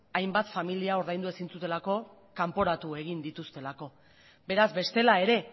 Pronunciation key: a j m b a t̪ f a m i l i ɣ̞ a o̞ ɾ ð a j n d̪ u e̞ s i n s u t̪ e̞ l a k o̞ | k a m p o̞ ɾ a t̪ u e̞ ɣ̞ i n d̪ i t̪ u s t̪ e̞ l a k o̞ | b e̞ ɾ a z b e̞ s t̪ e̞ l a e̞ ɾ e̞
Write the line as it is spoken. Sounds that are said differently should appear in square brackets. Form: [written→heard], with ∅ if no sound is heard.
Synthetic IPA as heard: a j m b a t̪ f a m i l i [ɣ̞→∅] a o̞ ɾ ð a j n d̪ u e̞ s i n [s→t͡s] u t̪ e̞ l a k o̞ | k a m p o̞ ɾ a t̪ u e̞ ɣ̞ i n d̪ i t̪ u s t̪ e̞ l a k o̞ | b e̞ ɾ a z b e̞ s t̪ e̞ l a e̞ ɾ e̞